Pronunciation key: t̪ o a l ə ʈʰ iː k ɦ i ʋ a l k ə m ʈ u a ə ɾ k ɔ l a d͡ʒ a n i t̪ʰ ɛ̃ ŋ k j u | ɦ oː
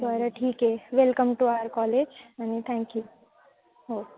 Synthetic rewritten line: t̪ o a ɾ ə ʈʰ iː k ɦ e ʋ e l k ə m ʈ u a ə ɾ k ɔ l e d͡ʒ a n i t̪ʰ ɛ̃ ŋ k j u | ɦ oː